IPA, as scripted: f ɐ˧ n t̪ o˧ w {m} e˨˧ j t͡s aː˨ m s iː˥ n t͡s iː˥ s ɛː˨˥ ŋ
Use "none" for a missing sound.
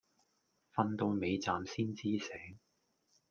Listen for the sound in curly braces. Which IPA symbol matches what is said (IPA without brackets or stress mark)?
m